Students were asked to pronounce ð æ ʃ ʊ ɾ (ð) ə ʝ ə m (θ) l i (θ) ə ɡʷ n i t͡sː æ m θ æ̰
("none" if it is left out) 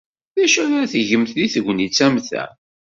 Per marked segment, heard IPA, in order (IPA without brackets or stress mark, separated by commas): θ, θ, θ